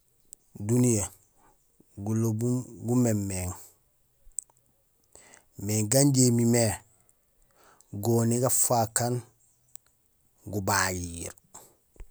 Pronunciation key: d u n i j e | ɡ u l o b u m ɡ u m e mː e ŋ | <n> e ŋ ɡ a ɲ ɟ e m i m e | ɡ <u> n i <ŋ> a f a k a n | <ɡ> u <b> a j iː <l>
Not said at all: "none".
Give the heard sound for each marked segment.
m, o, ɡ, ɡ, b, ɾ

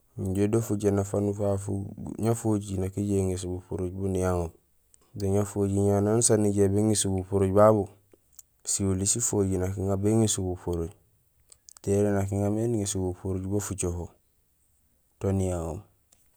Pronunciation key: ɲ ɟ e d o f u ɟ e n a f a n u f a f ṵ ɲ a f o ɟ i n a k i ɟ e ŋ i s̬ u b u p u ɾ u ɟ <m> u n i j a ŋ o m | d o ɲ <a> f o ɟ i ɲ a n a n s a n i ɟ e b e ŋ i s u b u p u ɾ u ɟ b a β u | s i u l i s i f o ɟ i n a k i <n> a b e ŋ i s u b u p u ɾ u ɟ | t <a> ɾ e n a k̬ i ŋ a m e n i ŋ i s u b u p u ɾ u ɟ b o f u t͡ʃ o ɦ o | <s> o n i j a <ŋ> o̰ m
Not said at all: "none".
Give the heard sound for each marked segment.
b, a, ŋ, e, t, ŋ

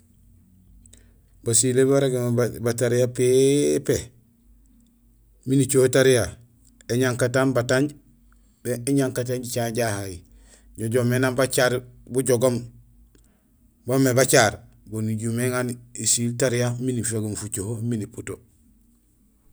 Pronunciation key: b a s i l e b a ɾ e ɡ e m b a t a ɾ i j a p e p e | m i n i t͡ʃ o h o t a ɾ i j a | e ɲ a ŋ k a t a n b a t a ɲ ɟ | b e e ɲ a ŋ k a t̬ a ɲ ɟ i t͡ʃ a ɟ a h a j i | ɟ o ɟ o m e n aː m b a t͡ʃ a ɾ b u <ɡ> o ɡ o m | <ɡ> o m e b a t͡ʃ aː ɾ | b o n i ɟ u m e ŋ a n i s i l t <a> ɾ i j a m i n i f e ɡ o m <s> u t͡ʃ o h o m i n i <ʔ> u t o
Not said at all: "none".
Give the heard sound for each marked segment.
ɟ, b, a, f, p

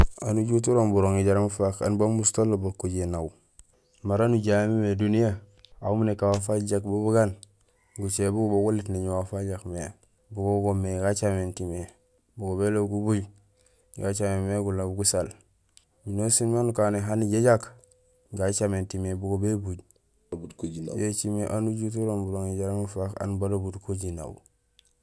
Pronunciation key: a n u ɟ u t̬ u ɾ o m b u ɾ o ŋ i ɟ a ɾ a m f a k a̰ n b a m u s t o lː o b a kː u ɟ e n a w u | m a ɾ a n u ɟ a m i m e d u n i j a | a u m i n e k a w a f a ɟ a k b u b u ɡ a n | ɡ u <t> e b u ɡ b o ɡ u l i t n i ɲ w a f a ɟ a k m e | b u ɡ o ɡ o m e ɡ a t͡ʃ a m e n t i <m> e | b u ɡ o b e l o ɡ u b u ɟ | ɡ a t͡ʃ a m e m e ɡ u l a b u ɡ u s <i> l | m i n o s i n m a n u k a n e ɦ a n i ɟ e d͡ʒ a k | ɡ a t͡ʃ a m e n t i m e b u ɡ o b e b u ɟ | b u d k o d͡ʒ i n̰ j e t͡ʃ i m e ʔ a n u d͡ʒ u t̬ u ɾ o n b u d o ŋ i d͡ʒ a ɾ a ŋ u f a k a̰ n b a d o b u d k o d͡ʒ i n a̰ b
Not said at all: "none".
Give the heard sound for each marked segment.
t͡ʃ, m, a

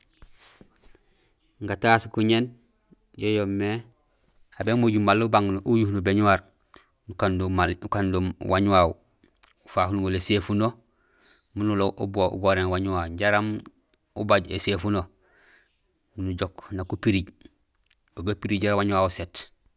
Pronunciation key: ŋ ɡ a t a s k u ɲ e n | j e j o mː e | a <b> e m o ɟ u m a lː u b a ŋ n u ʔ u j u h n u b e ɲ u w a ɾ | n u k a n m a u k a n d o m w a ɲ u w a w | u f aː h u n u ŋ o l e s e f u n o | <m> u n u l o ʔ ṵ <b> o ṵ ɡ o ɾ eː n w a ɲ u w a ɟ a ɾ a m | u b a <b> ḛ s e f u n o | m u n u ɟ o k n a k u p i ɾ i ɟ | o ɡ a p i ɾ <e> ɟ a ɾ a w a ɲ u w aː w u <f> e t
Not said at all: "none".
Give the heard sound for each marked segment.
b, m, b, ɟ, i, s

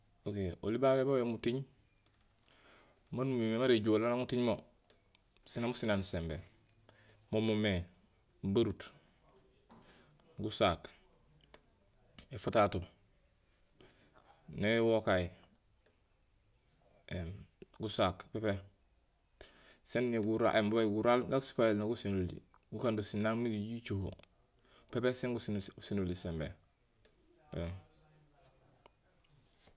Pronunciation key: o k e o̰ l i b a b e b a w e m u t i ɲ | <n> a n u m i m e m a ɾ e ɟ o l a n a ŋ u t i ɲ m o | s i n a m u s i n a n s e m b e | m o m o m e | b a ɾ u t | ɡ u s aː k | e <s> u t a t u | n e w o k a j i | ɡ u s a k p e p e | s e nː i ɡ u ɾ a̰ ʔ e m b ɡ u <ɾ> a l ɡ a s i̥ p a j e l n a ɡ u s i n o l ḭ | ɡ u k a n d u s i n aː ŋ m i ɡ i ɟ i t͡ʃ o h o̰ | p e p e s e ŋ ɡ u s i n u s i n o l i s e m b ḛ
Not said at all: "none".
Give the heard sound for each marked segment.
m, f, ɾ

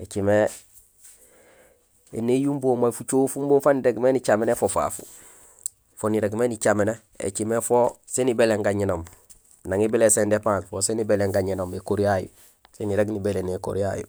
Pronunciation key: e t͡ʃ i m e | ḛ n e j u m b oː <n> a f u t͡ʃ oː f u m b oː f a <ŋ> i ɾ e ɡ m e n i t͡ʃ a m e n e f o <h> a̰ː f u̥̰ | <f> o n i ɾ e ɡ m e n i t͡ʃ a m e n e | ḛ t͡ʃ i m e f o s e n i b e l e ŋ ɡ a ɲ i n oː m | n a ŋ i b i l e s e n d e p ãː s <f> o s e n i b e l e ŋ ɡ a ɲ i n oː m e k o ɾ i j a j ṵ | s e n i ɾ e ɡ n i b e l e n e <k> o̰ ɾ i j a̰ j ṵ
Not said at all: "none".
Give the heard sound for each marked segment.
m, n, f, f, f, k

